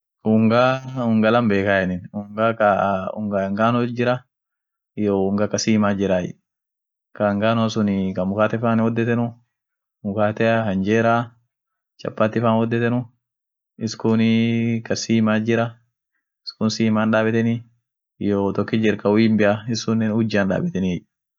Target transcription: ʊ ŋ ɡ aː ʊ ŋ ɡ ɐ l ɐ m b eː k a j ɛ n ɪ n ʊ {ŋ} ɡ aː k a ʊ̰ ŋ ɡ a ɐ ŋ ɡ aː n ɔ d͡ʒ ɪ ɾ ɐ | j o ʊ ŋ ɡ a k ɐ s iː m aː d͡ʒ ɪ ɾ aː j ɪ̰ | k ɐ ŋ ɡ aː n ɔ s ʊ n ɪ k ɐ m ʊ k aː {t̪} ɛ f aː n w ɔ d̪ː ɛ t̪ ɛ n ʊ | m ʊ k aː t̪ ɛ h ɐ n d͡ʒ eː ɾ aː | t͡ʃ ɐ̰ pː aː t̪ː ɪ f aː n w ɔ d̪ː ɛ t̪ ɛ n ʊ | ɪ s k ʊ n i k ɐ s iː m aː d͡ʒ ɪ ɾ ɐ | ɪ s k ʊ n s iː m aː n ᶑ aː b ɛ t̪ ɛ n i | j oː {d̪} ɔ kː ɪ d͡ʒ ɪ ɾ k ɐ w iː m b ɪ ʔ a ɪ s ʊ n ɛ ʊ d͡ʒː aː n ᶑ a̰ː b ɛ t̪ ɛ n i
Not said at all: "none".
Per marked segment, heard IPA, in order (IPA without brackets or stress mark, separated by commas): ŋ, t̪, t̪